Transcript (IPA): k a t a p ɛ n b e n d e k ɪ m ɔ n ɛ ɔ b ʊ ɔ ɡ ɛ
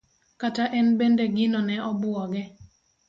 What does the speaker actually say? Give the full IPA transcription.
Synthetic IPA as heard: k a t a ʔ ɛ n b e n d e ɡ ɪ n ɔ n ɛ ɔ b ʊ ɔ ɡ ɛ